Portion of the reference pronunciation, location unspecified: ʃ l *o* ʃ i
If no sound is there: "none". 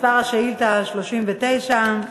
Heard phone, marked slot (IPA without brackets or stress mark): o